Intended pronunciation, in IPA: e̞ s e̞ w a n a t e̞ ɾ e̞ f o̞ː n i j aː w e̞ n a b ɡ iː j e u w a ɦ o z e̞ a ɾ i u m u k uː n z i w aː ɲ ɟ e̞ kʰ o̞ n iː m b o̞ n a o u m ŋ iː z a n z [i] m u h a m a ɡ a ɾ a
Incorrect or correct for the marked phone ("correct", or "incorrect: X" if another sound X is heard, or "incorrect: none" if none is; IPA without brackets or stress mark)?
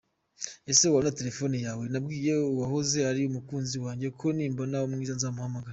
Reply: incorrect: a